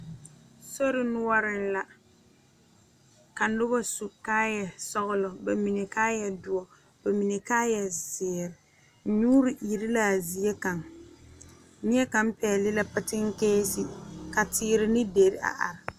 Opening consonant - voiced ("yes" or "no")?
no